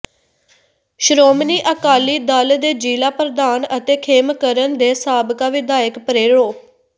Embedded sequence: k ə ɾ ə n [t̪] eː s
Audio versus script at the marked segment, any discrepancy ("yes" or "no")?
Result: yes